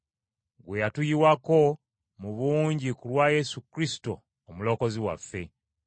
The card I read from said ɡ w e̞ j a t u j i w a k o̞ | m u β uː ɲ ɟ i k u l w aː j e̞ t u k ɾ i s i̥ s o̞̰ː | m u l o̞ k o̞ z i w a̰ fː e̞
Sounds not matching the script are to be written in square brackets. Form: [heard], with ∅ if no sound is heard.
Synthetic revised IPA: ɡ w e̞ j a t u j i w a k o̞ | m u β uː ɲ ɟ i k u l w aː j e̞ [s] u k ɾ i s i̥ [t] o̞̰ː | m u l o̞ k o̞ z i w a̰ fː e̞